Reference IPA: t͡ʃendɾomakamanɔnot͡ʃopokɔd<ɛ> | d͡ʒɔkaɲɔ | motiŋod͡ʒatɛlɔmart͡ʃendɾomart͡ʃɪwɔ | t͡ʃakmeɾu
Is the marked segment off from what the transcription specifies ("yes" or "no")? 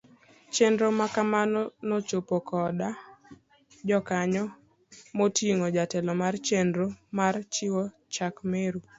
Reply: yes